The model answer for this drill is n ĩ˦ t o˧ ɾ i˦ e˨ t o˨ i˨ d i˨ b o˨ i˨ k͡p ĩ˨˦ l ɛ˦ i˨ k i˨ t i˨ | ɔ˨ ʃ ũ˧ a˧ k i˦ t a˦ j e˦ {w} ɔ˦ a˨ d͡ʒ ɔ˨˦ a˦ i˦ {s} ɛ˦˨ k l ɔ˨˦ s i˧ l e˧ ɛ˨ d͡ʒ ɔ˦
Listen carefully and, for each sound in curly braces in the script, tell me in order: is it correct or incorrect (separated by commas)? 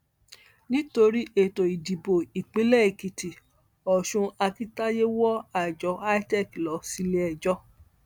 correct, incorrect